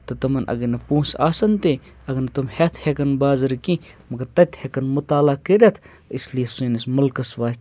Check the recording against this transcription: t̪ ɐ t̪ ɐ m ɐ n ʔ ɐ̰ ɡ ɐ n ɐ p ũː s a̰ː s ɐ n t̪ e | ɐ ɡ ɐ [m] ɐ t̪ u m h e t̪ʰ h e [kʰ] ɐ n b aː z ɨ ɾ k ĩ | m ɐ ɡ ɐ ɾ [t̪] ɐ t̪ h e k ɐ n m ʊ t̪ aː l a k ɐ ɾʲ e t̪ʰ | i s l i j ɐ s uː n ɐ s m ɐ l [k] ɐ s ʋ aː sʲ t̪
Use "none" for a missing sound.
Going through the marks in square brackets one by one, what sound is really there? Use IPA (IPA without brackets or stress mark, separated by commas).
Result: n, k, t̪, k